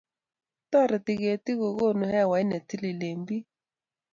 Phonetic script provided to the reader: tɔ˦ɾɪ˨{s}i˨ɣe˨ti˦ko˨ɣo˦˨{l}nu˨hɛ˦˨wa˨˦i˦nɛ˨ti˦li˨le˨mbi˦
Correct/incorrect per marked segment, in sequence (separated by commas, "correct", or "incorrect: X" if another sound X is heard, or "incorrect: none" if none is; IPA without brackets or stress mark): incorrect: t, incorrect: none